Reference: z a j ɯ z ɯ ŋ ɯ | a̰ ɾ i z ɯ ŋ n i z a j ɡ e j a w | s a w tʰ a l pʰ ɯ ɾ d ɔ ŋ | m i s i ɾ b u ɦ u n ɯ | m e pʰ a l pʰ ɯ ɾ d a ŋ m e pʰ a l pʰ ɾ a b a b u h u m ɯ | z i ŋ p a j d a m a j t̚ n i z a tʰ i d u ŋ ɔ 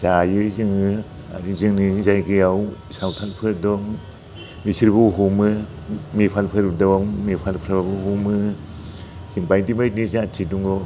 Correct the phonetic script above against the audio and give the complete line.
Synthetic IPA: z a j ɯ z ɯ ŋ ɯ | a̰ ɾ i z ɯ ŋ n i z a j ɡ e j a w | s a w tʰ a l pʰ ɯ ɾ d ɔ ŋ | m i s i ɾ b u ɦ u m ɯ | m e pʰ a l pʰ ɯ ɾ d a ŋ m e pʰ a l pʰ ɾ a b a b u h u m ɯ | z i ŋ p a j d i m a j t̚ n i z a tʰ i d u ŋ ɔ